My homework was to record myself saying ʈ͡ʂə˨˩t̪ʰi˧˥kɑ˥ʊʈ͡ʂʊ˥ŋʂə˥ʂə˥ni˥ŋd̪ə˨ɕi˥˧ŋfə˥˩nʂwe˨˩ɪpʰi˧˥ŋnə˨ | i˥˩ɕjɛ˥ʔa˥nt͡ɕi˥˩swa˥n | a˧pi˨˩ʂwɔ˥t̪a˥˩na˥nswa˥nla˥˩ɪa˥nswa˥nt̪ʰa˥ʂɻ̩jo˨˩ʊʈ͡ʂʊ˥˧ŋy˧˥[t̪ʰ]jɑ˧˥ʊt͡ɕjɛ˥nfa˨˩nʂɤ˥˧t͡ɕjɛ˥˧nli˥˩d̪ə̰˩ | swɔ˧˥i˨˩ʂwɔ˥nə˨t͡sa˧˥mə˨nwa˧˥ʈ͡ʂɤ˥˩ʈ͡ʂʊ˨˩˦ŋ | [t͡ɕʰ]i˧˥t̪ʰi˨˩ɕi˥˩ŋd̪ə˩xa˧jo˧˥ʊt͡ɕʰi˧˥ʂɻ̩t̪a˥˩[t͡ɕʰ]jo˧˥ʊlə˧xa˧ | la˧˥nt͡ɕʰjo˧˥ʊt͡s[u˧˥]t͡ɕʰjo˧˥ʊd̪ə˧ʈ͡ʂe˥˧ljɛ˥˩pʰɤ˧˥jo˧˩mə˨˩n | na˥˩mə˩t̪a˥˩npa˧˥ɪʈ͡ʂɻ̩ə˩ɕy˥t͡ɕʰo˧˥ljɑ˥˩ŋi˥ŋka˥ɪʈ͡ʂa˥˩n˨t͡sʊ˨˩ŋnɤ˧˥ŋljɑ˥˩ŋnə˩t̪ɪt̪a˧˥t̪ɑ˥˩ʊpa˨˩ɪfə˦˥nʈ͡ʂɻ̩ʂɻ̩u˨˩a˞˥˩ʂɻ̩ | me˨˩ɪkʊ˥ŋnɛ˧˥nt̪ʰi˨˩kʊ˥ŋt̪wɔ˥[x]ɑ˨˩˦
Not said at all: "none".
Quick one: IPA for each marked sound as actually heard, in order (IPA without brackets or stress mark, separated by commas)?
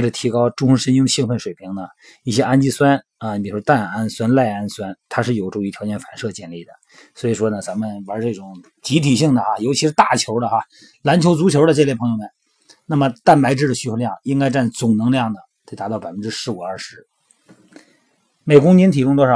t̪ʰ, t͡ɕ, t͡ɕʰ, u˧˥, ʂ